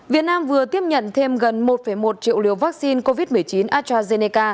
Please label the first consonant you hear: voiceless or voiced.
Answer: voiced